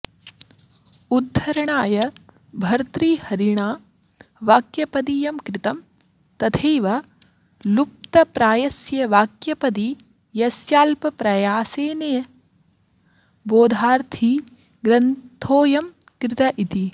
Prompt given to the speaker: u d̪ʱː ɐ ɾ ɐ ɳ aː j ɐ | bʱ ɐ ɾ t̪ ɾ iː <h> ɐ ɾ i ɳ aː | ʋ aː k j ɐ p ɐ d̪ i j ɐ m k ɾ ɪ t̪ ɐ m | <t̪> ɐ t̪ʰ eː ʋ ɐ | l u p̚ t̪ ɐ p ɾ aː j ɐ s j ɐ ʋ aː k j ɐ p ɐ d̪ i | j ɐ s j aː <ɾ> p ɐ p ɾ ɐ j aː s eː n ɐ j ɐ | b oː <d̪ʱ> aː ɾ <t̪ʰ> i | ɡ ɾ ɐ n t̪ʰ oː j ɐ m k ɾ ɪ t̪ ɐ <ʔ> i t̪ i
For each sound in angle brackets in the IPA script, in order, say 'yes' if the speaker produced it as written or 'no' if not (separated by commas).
yes, yes, no, yes, yes, yes